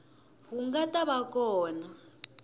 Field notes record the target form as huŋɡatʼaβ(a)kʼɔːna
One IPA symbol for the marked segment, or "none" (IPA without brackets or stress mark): a